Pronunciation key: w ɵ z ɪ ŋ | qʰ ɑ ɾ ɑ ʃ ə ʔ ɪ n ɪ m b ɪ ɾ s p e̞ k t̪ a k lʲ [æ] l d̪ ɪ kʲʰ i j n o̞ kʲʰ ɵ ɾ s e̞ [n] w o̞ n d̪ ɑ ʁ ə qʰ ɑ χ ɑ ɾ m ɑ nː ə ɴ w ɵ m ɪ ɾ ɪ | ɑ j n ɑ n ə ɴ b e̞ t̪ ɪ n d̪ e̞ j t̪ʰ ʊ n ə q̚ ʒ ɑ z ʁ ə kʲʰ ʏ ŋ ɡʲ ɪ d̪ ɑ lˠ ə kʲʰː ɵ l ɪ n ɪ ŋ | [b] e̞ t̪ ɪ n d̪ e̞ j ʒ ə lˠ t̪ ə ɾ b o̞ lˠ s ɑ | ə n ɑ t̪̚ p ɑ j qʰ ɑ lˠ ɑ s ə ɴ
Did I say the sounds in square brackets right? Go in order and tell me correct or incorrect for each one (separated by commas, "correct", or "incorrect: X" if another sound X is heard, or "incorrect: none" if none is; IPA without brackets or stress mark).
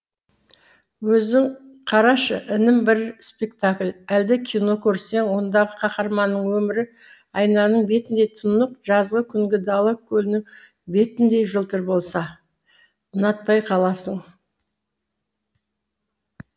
correct, incorrect: ŋ, correct